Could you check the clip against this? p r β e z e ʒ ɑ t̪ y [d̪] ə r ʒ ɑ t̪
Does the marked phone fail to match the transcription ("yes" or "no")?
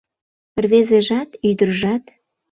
no